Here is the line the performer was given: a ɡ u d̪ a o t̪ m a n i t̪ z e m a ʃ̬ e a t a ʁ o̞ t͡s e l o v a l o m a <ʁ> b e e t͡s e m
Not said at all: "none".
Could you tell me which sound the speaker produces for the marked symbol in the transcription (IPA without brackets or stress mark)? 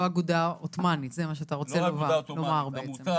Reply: ʁ